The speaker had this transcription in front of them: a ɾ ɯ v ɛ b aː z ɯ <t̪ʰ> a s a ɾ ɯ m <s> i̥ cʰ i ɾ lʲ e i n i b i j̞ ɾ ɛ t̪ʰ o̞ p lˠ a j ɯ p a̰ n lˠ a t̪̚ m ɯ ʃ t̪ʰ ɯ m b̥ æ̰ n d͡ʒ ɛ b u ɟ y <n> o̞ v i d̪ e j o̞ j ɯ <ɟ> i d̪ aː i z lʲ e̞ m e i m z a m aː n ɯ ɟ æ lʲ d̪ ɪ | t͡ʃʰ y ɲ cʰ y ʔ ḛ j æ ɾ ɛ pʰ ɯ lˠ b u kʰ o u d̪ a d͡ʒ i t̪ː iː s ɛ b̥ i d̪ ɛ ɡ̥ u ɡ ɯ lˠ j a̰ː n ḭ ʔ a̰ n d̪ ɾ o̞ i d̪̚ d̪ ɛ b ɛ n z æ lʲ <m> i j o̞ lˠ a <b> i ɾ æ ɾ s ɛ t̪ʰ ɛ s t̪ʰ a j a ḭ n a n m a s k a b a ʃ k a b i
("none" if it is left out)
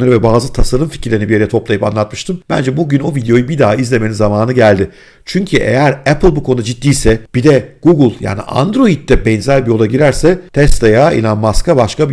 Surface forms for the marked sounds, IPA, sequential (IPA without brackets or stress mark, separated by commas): t̪ʰ, f, n, b, b, ɟ